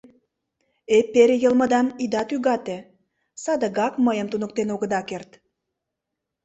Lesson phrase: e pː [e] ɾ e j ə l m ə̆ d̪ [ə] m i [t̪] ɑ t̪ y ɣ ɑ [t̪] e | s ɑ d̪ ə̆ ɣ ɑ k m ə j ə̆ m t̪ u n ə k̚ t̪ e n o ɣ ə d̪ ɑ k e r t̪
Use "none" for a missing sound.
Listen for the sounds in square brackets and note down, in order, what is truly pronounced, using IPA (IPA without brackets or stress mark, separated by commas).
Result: e, ɑ, d̪, t̪